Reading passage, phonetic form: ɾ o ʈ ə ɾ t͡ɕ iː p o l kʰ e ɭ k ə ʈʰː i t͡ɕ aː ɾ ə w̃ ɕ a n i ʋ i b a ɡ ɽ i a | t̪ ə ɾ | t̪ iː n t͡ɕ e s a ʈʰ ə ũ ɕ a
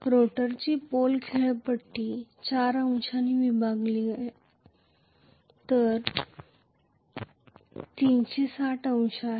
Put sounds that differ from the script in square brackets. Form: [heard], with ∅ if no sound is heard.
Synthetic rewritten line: ɾ o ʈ ə ɾ t͡ɕ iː p o l kʰ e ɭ [p] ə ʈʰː i t͡ɕ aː ɾ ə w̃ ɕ a n i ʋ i b a ɡ [l] i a | t̪ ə ɾ | t̪ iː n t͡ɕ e s a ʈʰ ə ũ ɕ a